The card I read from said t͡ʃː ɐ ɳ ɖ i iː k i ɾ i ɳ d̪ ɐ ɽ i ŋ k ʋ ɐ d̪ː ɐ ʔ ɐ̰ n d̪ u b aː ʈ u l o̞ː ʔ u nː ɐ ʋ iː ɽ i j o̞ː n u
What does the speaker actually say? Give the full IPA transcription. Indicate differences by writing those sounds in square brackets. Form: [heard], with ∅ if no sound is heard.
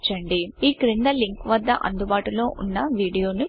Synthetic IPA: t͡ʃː ɐ ɳ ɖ i iː k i ɾ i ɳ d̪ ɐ [l] i ŋ k ʋ ɐ d̪ː ɐ ʔ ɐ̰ n d̪ u b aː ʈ u l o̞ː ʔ u nː ɐ ʋ iː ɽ i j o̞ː n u